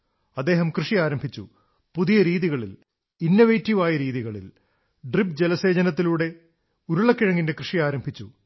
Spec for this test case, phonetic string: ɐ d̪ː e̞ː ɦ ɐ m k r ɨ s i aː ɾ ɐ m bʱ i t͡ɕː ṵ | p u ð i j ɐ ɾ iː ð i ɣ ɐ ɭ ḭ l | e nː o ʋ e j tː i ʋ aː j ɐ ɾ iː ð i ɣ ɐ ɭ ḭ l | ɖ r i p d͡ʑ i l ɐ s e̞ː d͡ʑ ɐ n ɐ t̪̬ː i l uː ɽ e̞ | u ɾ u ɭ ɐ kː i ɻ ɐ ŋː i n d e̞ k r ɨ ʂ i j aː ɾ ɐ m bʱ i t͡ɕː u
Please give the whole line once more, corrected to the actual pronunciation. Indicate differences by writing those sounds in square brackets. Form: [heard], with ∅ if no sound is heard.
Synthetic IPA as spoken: ɐ d̪ː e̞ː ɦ ɐ m k r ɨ [ʂ] i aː ɾ ɐ m bʱ i t͡ɕː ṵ | p u ð i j ɐ ɾ iː ð i ɣ ɐ ɭ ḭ l | [i] nː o ʋ e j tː i ʋ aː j ɐ ɾ iː ð i ɣ ɐ ɭ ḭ l | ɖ r i p d͡ʑ [e] l ɐ s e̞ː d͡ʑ ɐ n ɐ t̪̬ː i l uː ɽ e̞ | u ɾ u ɭ ɐ kː i ɻ ɐ ŋː i n d e̞ k r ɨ ʂ i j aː ɾ ɐ m bʱ i t͡ɕː u